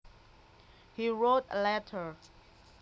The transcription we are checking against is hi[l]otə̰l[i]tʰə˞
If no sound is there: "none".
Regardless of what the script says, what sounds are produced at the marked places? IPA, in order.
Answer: ɹ, ɛ

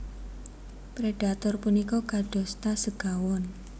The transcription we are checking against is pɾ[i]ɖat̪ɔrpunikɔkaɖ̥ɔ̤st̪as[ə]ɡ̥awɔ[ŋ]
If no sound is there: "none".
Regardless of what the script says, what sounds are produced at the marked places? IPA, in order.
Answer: e, ə, n

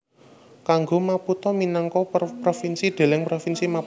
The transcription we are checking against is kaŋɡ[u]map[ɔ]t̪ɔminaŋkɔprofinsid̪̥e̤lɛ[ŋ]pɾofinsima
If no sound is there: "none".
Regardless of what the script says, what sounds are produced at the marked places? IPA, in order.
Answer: o, u, ŋ

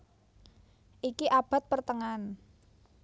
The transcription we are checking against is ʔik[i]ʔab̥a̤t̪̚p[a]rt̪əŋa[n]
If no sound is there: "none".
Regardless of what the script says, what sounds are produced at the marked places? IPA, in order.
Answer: i, ə, n

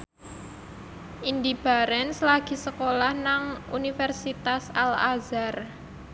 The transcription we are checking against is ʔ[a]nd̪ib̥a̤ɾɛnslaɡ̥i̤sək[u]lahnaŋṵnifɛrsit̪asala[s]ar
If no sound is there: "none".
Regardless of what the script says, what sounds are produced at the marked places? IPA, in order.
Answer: i, o, z

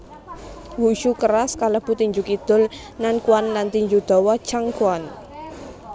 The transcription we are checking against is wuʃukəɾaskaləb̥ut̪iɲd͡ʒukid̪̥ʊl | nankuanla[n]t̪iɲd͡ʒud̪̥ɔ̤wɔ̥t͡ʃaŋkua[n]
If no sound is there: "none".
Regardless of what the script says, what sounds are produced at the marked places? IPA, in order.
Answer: n, n

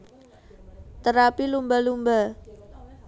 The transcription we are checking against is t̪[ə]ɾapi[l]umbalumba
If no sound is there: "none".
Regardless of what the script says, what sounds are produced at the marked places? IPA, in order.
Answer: ə, l

